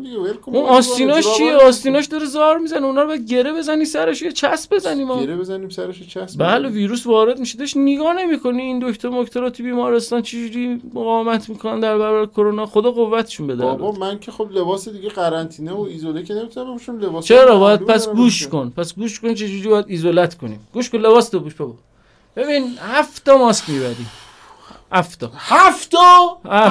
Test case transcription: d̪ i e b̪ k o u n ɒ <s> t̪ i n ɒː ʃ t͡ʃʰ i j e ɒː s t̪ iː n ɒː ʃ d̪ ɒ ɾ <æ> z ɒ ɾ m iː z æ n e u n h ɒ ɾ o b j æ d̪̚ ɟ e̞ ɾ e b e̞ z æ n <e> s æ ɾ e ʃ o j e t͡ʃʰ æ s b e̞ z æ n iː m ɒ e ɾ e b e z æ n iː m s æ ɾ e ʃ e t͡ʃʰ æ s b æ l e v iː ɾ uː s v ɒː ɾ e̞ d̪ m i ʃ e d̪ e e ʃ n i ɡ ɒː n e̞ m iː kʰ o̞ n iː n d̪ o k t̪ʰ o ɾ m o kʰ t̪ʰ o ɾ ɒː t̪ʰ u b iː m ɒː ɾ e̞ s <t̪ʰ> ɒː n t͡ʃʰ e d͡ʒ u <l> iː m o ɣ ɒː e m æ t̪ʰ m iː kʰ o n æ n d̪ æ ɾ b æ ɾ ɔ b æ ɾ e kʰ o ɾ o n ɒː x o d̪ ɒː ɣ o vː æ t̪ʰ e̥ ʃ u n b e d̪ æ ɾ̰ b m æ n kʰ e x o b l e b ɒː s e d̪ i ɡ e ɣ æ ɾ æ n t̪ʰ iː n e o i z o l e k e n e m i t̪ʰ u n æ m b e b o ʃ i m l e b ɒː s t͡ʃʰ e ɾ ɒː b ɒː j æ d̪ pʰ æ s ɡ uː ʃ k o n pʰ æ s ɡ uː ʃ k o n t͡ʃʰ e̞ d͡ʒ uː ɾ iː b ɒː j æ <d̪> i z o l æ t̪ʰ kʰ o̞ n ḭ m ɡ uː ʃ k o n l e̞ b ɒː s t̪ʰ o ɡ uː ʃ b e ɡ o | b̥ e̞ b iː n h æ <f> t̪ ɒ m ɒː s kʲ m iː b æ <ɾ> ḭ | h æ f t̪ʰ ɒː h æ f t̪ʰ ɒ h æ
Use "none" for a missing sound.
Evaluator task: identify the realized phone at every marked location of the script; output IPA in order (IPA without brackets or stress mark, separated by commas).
s, e, i, t̪, ɾ, d̪, f, ɾ